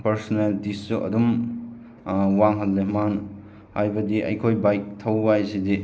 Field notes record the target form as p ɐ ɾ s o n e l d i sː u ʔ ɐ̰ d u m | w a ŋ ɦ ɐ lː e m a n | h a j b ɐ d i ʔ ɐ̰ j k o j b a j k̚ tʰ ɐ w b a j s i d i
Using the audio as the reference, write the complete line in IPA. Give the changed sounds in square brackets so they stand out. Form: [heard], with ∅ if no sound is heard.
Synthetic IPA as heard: p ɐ ɾ s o n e l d i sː u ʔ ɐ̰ d u m | w a ŋ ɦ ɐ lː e m a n | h a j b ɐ d i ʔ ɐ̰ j [kʰ] o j b a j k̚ tʰ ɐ w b a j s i d i